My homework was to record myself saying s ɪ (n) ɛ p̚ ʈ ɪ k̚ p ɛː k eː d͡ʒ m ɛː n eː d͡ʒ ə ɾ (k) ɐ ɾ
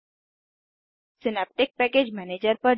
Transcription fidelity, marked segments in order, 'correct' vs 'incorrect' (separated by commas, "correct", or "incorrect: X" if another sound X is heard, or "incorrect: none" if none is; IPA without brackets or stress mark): correct, incorrect: p